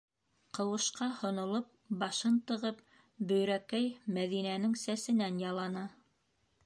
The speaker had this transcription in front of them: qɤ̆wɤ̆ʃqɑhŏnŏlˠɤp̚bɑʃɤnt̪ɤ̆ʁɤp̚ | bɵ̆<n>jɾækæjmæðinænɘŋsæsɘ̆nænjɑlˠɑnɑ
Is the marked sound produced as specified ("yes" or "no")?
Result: no